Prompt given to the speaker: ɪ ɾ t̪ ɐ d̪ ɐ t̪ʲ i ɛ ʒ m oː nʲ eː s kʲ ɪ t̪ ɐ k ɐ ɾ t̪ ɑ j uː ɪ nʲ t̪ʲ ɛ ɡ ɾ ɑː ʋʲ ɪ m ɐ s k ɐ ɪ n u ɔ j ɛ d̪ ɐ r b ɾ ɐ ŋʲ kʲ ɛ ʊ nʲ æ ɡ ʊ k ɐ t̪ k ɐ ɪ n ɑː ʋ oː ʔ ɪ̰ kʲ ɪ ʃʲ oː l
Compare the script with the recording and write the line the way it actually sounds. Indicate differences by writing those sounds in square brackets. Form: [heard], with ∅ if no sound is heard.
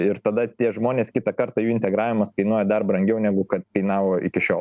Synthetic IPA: ɪ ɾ t̪ ɐ d̪ ɐ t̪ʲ i ɛ ʒ m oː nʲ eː s kʲ ɪ t̪ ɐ k ɐ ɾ t̪ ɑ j uː ɪ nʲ t̪ʲ ɛ ɡ ɾ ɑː ʋʲ ɪ m ɐ s k ɐ ɪ n u ɔ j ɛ d̪ ɐ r b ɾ ɐ ŋʲ [ɡʲ] ɛ ʊ nʲ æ ɡ ʊ k ɐ t̪ k ɐ ɪ n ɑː ʋ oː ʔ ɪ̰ kʲ ɪ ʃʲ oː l